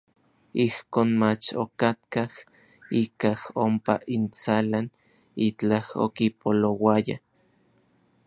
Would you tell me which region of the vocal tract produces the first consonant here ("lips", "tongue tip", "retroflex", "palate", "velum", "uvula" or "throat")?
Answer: throat